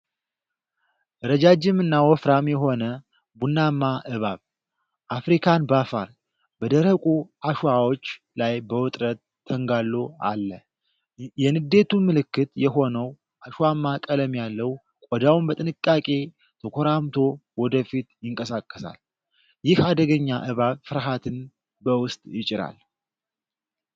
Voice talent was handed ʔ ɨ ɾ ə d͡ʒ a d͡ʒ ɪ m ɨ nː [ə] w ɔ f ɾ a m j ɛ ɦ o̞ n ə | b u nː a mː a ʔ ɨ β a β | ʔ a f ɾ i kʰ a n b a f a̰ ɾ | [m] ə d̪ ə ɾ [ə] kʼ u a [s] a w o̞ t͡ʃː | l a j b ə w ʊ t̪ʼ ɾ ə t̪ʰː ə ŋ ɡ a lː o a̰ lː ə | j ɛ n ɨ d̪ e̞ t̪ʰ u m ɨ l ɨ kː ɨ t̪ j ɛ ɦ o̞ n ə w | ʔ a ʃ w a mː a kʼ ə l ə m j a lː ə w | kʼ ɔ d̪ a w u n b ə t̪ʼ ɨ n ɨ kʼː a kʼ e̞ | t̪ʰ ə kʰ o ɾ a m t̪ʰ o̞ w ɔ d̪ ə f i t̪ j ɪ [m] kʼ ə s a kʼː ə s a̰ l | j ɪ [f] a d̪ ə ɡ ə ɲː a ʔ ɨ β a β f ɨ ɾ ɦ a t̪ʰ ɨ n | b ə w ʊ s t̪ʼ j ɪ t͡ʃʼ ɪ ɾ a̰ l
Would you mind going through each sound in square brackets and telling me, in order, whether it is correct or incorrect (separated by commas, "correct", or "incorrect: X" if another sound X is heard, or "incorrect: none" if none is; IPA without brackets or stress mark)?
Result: incorrect: a, incorrect: b, correct, incorrect: ʃ, incorrect: ŋ, incorrect: h